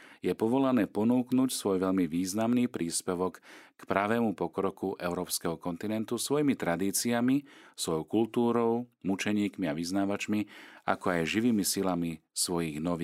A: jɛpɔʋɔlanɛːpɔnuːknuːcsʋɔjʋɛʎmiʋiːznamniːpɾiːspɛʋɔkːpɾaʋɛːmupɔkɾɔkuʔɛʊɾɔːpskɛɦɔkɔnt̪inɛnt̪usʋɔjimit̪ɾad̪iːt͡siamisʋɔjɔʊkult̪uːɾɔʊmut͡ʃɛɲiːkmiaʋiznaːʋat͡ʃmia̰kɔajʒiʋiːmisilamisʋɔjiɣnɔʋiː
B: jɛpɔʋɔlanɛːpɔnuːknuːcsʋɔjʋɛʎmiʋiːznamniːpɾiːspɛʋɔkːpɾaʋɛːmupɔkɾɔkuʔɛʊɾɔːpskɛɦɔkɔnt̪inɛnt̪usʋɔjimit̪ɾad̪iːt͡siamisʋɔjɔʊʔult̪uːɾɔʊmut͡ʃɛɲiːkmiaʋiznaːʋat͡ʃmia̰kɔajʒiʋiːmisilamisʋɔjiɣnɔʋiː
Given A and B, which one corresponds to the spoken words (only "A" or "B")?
A